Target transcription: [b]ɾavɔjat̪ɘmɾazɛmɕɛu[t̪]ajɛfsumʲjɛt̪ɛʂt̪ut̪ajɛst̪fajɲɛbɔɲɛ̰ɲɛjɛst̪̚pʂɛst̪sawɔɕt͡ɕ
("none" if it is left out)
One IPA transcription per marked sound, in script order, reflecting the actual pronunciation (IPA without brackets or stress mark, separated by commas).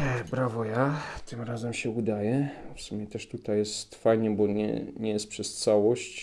b, d̪